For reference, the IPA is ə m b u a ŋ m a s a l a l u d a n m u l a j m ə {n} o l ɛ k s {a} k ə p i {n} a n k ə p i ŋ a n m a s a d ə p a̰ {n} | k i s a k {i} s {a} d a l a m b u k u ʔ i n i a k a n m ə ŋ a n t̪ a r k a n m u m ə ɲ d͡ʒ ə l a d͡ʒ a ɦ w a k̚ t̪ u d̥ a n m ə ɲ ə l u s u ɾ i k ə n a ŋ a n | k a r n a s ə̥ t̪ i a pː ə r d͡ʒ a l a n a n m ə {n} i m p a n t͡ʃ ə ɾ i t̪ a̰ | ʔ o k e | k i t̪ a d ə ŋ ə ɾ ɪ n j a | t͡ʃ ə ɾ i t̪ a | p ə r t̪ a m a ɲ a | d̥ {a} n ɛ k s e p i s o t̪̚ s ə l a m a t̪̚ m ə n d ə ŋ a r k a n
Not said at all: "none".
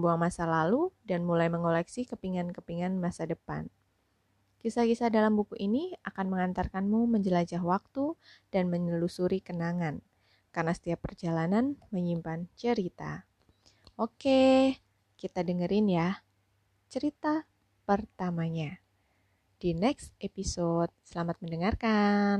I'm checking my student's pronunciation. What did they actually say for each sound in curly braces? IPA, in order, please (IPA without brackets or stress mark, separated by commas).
ŋ, i, ŋ, n, i, a, ɲ, i